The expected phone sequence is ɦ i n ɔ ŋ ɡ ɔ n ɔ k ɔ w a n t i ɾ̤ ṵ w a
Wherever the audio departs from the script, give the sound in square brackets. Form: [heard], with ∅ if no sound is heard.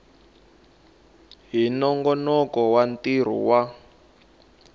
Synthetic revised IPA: ɦ i n ɔ ŋ ɡ ɔ n ɔ k ɔ w a n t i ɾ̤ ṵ w a